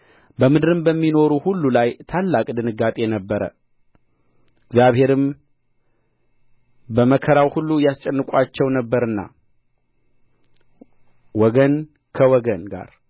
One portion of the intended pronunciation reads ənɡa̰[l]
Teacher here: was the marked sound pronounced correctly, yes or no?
no